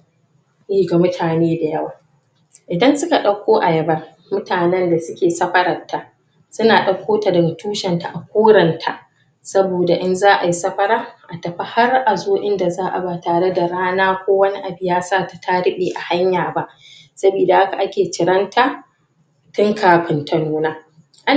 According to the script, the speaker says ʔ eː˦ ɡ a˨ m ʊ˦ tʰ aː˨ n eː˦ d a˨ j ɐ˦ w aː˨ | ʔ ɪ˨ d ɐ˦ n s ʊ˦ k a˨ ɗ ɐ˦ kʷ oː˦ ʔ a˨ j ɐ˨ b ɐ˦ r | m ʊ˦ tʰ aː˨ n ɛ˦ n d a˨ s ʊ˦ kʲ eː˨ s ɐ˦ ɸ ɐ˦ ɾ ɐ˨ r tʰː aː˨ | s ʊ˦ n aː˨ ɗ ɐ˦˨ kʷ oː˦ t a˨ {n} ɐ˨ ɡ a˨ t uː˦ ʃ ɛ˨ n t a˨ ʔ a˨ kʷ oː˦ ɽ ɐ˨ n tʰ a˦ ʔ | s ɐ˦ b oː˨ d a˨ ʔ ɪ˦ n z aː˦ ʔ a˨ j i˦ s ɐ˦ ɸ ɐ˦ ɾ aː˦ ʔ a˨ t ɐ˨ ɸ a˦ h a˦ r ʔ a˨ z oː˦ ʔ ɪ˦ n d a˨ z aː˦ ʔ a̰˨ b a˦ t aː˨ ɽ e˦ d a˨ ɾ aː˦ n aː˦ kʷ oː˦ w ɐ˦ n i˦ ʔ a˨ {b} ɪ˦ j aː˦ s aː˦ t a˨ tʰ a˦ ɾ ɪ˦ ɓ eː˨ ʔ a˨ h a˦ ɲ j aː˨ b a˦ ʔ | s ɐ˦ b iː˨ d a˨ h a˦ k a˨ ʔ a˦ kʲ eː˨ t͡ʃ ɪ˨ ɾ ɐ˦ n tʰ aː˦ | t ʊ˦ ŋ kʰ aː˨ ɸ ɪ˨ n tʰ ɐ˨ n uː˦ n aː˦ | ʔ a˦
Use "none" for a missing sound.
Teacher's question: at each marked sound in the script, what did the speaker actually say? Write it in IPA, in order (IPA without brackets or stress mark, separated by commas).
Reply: d, b